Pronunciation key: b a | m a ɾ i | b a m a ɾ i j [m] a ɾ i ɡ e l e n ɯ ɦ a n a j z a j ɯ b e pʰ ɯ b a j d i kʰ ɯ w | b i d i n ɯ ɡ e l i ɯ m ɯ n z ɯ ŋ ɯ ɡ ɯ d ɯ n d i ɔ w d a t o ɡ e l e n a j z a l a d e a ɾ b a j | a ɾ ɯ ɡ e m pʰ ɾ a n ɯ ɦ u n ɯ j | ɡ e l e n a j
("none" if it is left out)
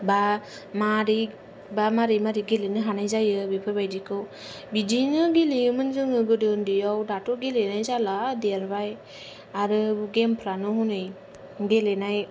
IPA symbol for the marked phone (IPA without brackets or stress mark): m